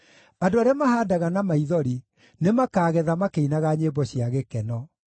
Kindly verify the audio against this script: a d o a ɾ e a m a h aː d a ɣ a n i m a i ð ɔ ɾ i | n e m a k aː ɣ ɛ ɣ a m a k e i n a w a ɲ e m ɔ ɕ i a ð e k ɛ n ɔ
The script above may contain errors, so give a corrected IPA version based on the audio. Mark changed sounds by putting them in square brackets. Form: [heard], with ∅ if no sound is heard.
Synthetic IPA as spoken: a d o a ɾ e a m a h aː d a ɣ a n [a] m a i ð ɔ ɾ i | n e m a k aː ɣ ɛ [ð] a m a k e i n a [ɣ] a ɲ e [b] ɔ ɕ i a [ɣ] e k ɛ n ɔ